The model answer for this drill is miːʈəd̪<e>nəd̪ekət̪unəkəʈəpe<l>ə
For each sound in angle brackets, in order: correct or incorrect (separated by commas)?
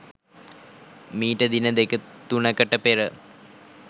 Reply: incorrect, incorrect